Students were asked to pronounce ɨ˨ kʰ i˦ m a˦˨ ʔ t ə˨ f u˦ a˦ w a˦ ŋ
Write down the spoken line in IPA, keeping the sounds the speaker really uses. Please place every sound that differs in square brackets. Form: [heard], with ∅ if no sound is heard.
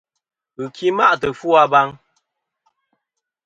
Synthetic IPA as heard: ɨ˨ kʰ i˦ m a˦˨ ʔ t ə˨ f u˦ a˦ [b] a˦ ŋ